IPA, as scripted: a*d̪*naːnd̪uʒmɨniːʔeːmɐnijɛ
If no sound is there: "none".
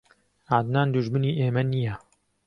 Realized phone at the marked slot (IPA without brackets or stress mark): d̪